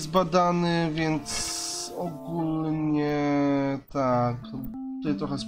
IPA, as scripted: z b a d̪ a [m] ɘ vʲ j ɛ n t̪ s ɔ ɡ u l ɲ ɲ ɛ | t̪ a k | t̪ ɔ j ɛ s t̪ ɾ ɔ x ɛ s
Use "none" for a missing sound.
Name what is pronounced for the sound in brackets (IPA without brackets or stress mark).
n